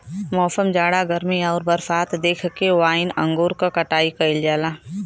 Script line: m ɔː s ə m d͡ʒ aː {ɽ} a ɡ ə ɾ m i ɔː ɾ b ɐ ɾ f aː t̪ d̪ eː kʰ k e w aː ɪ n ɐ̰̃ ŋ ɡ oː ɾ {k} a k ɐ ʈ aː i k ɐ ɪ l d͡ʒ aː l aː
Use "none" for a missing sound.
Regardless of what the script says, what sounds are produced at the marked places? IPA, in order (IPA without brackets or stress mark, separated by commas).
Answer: ɽ, k